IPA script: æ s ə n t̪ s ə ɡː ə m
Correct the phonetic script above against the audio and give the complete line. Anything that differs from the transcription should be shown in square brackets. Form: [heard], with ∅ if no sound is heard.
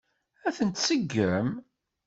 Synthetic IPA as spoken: æ [θ] ə n t̪ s ə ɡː ə m